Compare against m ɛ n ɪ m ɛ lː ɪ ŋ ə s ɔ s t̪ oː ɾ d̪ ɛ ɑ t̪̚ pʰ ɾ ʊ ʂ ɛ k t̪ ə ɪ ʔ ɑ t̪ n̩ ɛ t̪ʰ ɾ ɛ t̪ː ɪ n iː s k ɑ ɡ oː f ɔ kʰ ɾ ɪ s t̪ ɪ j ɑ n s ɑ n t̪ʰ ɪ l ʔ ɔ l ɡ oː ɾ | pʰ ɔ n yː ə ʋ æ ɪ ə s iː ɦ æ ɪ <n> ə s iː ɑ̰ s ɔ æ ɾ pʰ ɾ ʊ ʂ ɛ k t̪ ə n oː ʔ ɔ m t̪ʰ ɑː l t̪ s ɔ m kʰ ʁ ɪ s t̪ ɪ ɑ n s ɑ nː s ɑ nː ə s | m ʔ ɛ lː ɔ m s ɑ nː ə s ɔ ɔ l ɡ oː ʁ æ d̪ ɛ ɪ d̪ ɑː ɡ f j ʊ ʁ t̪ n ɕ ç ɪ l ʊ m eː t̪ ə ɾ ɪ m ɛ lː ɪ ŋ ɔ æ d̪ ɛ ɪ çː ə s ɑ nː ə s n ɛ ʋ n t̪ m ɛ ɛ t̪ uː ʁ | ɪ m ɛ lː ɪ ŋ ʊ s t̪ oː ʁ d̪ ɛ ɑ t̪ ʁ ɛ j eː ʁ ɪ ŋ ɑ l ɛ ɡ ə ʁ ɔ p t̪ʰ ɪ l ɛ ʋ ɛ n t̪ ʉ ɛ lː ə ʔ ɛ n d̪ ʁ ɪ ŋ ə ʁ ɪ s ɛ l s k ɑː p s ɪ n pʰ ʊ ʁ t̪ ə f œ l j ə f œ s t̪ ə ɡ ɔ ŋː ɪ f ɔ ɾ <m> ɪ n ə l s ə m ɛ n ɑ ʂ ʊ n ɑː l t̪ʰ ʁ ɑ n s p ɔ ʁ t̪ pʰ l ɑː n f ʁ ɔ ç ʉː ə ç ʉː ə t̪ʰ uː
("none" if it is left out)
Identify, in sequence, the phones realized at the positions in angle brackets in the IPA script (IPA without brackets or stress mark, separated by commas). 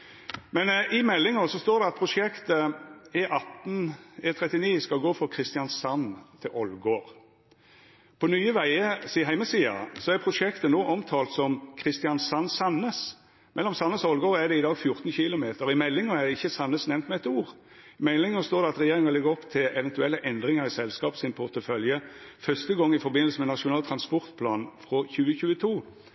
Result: m, b